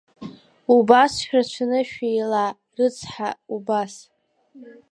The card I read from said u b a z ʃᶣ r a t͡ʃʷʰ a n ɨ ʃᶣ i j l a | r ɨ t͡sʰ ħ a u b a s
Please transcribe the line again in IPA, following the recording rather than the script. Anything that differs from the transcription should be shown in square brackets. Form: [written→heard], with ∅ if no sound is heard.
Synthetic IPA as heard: u b a [z→s] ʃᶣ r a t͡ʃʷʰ a n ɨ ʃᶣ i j l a | r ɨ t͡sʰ ħ a u b a s